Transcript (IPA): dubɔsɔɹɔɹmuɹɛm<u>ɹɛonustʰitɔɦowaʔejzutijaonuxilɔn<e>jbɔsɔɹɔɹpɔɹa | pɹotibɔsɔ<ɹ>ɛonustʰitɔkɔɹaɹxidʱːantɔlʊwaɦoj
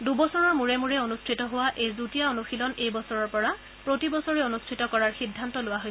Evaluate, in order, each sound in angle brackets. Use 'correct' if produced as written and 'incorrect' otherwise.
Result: correct, correct, correct

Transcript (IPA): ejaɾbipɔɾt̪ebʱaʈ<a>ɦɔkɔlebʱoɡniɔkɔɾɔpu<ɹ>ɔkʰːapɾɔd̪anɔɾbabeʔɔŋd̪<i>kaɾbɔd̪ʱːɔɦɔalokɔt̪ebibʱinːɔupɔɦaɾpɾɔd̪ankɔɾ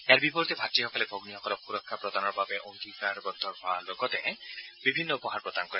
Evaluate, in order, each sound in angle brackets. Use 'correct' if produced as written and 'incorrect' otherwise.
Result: incorrect: i, incorrect: ɾ, correct

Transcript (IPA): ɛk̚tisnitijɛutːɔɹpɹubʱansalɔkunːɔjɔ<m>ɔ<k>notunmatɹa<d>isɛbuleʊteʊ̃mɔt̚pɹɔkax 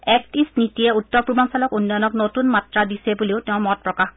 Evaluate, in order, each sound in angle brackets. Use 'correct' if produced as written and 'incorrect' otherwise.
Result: incorrect: n, correct, correct

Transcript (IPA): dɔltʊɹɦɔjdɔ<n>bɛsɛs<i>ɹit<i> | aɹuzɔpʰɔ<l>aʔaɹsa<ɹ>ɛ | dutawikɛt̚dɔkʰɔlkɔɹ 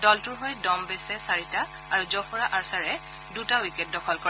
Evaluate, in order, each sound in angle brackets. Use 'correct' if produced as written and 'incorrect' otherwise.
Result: incorrect: m, incorrect: a, incorrect: a, incorrect: ɹ, correct

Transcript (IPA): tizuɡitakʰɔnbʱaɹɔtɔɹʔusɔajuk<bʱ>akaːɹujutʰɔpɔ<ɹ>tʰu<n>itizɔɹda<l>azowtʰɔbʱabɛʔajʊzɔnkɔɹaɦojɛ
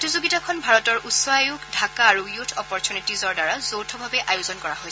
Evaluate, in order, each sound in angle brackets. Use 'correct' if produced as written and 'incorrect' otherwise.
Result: incorrect: dʱ, correct, correct, incorrect: ɹ

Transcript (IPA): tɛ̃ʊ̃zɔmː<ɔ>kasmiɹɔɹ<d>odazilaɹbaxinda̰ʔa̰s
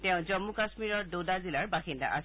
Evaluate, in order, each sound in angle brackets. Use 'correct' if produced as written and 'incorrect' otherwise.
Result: incorrect: u, correct

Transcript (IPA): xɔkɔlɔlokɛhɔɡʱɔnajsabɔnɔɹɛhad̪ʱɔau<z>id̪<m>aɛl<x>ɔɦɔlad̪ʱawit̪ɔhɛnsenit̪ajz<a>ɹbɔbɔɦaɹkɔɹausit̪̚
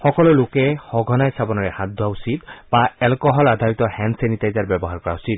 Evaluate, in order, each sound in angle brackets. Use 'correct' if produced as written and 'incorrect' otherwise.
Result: incorrect: s, incorrect: b, incorrect: k, correct

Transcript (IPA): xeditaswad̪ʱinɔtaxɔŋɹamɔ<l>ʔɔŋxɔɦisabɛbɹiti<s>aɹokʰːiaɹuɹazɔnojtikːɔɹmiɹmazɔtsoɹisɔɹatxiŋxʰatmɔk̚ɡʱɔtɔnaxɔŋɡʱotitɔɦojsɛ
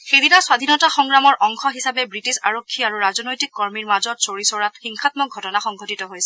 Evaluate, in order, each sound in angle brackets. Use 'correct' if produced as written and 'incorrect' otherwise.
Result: incorrect: ɹ, correct

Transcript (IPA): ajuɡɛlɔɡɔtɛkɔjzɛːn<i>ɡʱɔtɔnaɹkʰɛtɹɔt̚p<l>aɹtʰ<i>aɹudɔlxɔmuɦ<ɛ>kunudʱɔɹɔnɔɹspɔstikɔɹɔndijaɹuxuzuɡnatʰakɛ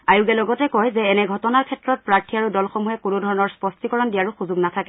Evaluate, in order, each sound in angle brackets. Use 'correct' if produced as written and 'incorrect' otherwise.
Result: incorrect: ɛ, incorrect: ɹ, correct, correct

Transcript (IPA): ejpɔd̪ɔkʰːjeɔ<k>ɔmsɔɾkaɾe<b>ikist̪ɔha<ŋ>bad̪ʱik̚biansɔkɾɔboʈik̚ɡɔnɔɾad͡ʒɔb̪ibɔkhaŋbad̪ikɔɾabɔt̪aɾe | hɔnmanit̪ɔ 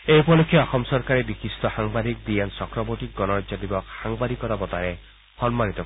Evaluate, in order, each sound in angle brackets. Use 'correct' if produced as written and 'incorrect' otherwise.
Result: incorrect: x, correct, correct

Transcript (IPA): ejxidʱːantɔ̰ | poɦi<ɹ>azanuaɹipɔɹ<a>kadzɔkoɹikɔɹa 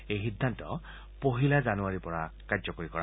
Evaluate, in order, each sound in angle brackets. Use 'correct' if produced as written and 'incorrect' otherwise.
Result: incorrect: l, correct

